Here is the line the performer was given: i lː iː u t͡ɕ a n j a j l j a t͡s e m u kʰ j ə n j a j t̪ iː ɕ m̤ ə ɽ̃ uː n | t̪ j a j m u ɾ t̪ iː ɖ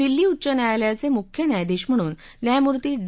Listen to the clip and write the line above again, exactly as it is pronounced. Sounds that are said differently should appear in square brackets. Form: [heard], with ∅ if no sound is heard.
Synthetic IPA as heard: i lː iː u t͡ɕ [ə] n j a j l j a t͡s e m u kʰ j ə n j a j [d̪] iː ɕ m̤ ə ɽ̃ uː n | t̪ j a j m u ɾ t̪ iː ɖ